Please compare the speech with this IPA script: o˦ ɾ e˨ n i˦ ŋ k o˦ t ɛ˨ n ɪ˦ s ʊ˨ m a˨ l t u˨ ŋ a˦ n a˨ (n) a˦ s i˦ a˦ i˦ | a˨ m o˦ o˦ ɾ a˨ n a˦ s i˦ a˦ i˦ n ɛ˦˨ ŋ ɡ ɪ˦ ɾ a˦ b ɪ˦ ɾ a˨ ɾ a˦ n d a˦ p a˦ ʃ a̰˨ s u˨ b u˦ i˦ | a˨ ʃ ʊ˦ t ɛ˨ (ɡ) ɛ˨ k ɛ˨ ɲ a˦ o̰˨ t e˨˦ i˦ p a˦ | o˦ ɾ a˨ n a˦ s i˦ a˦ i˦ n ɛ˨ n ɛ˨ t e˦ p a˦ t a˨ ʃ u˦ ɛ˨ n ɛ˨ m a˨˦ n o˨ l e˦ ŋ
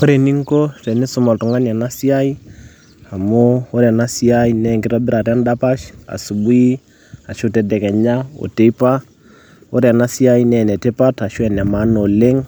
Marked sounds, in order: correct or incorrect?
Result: correct, incorrect: d

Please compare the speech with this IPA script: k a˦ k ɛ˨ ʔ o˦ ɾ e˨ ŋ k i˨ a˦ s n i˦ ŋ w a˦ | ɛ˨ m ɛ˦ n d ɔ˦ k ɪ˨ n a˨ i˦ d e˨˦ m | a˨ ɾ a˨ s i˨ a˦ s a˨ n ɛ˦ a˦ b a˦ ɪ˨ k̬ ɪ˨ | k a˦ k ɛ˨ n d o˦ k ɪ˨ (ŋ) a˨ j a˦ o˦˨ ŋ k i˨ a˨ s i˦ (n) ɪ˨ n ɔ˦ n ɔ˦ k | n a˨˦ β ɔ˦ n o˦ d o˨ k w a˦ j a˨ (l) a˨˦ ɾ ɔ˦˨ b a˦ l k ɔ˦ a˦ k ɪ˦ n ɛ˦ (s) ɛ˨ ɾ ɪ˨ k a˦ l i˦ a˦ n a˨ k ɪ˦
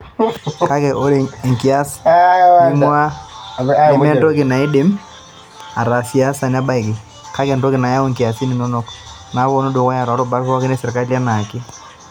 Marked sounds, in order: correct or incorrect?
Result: incorrect: n, correct, incorrect: ɾ, correct

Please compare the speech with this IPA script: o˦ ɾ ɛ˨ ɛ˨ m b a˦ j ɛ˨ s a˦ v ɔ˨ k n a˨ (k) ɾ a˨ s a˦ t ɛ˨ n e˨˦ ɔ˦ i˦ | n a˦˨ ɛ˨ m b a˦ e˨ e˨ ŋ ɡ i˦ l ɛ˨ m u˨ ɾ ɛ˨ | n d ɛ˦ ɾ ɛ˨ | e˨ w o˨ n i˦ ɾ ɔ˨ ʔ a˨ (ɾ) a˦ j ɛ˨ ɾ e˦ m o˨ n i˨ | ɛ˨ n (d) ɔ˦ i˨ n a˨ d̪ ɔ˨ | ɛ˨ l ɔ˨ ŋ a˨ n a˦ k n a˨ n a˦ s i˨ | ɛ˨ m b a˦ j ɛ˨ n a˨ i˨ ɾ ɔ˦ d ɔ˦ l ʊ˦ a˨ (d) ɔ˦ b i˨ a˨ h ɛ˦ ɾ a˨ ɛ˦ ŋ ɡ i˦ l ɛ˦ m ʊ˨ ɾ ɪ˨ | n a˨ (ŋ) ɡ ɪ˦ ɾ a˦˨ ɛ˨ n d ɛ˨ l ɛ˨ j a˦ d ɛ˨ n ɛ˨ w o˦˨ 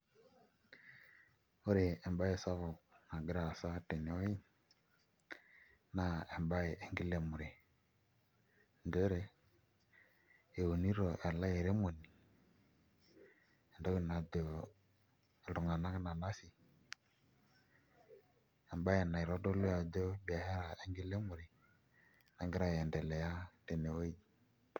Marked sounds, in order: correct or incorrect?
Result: incorrect: ɡ, incorrect: l, correct, correct, correct

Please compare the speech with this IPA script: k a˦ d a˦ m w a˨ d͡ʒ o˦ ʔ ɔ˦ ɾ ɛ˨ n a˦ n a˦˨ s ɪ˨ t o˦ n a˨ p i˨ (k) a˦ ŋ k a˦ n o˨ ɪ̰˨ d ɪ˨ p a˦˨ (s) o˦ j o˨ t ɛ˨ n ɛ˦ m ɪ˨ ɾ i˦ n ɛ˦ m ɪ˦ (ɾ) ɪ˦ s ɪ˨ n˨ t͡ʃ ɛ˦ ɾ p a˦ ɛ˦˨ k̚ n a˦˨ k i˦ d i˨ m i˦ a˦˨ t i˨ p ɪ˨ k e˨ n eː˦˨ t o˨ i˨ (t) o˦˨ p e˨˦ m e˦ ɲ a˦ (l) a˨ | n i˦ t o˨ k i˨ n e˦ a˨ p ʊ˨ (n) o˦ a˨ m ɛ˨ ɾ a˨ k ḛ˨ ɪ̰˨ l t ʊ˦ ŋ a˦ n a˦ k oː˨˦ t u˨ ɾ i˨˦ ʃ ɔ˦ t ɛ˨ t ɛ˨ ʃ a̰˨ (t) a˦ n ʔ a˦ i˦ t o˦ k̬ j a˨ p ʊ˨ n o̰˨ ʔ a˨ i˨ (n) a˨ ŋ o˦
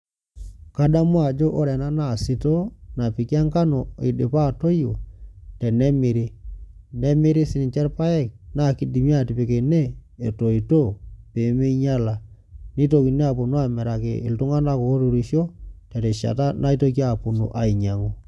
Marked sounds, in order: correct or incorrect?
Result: correct, incorrect: t, correct, correct, correct, correct, correct, incorrect: ɲ

